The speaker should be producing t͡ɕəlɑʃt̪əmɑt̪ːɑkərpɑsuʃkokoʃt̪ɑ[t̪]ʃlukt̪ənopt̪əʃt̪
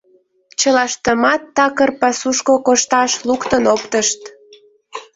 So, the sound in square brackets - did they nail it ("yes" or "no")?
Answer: no